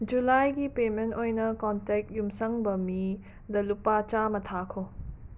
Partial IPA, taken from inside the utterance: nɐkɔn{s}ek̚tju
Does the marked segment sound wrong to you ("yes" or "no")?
yes